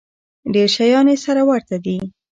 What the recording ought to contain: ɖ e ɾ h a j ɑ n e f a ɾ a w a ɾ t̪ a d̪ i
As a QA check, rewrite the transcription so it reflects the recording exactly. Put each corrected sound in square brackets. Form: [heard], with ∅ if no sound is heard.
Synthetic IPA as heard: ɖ e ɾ [ʃ] a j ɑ n e [s] a ɾ a w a ɾ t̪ a d̪ i